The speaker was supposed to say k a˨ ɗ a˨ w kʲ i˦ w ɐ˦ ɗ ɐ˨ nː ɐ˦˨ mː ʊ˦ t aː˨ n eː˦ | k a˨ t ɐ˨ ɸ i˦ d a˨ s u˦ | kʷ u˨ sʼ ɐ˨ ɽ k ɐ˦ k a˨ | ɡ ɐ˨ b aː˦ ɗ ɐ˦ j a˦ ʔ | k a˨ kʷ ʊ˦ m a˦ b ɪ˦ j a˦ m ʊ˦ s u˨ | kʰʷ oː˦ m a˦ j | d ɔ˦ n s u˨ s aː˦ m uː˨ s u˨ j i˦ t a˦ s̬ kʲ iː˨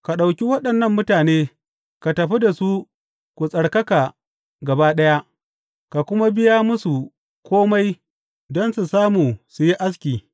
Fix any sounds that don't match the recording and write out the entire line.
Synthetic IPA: k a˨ ɗ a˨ w kʲ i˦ w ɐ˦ ɗ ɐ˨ nː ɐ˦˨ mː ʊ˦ t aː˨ n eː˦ | k a˨ t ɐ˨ ɸ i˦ d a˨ s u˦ | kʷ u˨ sʼ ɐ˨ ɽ k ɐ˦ k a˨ | ɡ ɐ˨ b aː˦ ɗ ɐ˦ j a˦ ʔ | k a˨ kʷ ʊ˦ m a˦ b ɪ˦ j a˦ m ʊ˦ s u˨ | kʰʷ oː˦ m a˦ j | d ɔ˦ n s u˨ s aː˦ m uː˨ s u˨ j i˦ ʔ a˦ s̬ kʲ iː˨

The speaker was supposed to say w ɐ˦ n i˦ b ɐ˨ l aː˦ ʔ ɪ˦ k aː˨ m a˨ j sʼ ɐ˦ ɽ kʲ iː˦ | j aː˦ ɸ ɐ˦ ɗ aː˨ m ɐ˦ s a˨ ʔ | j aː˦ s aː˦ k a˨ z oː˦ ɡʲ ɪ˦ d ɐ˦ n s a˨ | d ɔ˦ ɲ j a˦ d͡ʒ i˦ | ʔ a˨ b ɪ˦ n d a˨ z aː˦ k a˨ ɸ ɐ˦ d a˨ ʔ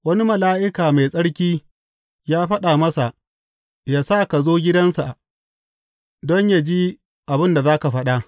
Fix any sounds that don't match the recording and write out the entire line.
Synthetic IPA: w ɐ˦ n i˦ m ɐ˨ l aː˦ ʔ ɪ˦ k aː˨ m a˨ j sʼ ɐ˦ ɽ kʲ iː˦ | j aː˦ ɸ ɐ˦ ɗ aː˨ m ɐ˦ s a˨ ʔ | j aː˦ s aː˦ k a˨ z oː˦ ɡʲ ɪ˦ d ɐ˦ n s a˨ | d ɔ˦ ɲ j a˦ d͡ʒ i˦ | ʔ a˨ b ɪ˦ n d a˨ z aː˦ k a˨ ɸ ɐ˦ ɗ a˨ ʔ

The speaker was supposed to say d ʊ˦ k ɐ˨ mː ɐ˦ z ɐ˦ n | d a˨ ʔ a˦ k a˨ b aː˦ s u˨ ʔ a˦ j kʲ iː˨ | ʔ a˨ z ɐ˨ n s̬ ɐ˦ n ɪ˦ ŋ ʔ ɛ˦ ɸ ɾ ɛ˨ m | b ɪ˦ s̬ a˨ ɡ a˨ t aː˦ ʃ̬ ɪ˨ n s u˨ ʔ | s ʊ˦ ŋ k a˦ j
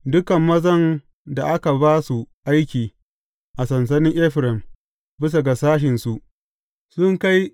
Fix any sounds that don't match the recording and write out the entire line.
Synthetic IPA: d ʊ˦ k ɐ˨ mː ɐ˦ z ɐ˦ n | d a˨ ʔ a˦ k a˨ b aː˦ s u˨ ʔ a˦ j kʲ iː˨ | ʔ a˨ s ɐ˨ n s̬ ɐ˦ n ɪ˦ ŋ ʔ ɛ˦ ɸ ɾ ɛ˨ m | b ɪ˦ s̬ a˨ ɡ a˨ s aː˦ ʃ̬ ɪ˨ n s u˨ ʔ | s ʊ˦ ŋ k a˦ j

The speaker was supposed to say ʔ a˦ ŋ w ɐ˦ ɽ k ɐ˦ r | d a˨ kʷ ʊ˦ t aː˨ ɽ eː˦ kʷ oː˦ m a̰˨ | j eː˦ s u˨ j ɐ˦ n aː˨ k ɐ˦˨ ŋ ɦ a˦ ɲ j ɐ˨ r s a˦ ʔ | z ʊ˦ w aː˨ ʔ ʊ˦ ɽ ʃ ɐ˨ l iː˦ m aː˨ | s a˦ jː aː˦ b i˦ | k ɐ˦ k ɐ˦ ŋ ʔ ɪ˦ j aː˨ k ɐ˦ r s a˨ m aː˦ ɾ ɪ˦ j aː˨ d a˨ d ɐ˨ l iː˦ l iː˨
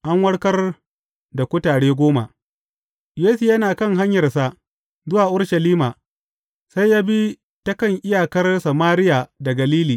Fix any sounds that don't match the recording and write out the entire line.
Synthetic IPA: ʔ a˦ ŋ w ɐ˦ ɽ k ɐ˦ r | d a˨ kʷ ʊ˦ t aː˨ ɽ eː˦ ɡʷ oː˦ m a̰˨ | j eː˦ s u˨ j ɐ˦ n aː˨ k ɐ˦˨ ŋ ɦ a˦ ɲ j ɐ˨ r s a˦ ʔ | z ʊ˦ w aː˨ ʔ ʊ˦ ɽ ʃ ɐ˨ l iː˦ m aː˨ | s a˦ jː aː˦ b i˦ | t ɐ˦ k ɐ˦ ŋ ʔ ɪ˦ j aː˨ k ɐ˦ r s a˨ m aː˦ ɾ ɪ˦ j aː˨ d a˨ ɡ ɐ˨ l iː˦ l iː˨

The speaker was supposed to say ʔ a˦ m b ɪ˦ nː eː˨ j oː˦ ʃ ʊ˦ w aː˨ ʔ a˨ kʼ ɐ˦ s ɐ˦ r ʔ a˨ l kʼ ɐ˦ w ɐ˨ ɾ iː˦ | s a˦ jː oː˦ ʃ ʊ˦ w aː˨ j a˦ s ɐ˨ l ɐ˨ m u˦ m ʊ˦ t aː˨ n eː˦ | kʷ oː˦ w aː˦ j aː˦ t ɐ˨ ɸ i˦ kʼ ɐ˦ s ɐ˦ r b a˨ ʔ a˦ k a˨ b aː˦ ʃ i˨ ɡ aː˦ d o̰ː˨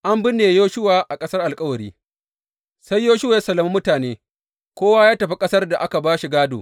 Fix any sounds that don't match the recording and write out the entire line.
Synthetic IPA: ʔ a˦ m b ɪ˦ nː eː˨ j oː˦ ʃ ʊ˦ w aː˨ ʔ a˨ kʼ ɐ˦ s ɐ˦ r ʔ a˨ l kʼ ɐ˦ w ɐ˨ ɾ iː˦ | s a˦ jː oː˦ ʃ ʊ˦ w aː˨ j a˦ s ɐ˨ l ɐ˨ m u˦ m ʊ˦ t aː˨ n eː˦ | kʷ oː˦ w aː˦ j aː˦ t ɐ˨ ɸ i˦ kʼ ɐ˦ s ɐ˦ r d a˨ ʔ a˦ k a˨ b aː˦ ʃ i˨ ɡ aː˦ d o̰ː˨

